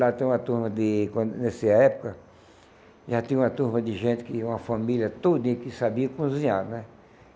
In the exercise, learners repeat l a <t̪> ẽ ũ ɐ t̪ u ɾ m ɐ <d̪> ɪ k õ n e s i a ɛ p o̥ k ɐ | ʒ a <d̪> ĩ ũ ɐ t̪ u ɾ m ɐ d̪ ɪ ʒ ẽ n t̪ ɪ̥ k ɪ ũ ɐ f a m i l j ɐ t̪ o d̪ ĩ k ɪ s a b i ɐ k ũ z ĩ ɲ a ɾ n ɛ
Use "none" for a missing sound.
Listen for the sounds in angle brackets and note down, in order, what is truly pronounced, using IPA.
t̪, d̪, t̪

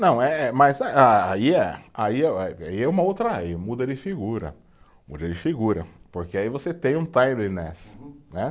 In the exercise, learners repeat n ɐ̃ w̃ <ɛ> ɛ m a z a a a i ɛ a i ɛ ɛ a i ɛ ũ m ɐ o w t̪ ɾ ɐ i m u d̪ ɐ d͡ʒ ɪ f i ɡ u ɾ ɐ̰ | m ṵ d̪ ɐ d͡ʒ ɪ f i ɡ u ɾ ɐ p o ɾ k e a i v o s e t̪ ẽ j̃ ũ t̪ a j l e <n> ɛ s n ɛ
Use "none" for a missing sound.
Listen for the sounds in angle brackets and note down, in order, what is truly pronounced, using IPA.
ɛ, n

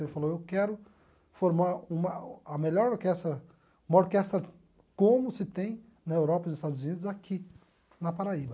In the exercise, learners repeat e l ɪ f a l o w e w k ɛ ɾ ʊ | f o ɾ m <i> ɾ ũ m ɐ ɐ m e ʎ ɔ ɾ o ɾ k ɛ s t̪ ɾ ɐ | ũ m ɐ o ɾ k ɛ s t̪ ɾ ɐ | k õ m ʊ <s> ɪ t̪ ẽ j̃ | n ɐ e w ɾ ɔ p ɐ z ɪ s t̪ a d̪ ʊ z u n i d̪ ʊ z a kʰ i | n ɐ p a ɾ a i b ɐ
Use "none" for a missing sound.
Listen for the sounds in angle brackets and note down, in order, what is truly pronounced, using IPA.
a, s

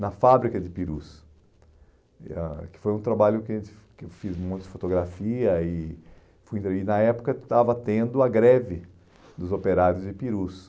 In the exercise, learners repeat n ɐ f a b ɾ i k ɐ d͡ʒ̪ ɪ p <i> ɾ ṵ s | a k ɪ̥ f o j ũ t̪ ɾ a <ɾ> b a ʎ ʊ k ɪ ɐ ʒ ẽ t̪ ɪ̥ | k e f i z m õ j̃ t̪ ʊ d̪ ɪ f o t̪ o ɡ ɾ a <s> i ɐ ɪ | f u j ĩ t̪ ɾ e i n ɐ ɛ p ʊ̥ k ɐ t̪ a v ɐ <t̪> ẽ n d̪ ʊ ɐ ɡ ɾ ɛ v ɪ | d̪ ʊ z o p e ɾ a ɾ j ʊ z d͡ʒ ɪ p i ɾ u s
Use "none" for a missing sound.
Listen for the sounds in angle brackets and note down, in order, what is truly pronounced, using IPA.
i, none, f, t̪

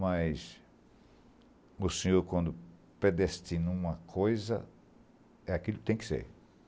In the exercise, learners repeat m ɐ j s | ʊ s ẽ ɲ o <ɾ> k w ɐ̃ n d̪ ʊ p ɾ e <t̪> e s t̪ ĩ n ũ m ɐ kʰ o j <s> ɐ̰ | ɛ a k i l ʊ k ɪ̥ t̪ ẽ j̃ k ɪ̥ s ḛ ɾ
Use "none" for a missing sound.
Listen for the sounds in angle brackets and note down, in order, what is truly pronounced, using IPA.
ɾ, d̪, z

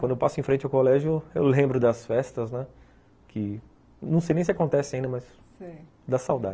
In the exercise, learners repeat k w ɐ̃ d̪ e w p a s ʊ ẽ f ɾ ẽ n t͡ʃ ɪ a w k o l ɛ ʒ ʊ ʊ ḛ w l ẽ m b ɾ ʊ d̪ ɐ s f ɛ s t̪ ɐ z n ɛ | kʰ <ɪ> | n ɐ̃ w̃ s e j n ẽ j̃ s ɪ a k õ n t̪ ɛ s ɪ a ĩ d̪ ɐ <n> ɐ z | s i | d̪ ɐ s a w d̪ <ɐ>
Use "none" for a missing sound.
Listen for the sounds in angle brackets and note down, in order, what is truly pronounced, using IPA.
ɪ, m, a

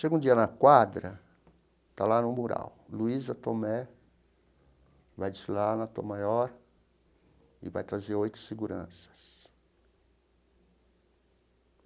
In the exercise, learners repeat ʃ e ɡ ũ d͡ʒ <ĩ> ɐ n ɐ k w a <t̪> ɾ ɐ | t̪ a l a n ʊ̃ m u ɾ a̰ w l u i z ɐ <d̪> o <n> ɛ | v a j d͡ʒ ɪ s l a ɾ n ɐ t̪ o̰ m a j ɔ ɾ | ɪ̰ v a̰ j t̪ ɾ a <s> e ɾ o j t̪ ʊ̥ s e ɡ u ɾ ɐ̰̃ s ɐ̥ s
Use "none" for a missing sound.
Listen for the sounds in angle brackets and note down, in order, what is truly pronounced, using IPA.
i, d̪, t̪, m, z

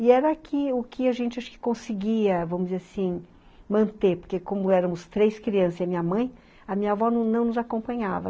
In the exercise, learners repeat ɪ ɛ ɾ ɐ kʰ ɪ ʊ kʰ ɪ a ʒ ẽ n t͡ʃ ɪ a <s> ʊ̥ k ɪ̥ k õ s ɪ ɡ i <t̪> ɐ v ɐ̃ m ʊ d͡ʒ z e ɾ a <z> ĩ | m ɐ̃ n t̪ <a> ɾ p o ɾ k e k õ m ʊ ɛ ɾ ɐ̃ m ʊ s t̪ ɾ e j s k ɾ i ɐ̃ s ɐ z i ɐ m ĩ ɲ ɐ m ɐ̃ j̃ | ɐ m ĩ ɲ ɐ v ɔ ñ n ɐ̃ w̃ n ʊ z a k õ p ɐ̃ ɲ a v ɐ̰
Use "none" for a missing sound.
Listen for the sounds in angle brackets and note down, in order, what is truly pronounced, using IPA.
ʃ, none, s, e

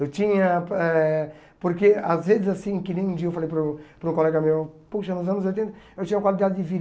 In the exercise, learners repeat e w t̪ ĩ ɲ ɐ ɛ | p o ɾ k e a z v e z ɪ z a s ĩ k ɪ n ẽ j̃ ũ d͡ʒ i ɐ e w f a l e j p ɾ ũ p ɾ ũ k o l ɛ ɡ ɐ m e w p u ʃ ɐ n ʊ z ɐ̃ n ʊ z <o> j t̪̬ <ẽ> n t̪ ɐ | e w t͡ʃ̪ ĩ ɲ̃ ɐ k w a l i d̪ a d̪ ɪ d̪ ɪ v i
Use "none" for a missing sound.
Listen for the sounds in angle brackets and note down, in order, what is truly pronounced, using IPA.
o, ẽ

